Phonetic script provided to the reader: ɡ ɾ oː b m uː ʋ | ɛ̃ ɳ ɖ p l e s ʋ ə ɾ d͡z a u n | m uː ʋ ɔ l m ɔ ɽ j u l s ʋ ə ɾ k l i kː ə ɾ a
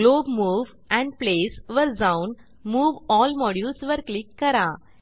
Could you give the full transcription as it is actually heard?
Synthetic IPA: ɡ l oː b m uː ʋ | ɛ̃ ɳ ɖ p l e s ʋ ə ɾ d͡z a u n | m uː ʋ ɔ l m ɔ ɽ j u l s ʋ ə ɾ k l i kː ə ɾ a